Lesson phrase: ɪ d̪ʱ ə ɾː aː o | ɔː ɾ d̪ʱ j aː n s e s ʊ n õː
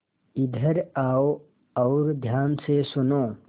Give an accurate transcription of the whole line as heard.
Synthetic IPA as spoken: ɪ d̪ʱ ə ɾ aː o | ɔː ɾ d̪ʱ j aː n s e s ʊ n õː